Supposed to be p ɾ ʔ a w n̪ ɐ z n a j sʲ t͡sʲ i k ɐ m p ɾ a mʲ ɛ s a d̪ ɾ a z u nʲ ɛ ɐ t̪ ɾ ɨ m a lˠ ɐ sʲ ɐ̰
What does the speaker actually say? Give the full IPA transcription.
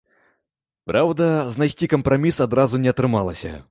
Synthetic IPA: p ɾ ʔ a w d̪ ɐ z n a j sʲ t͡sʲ i k ɐ m p ɾ a mʲ i s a d̪ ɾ a z u nʲ ɛ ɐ t̪ ɾ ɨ m a lˠ ɐ sʲ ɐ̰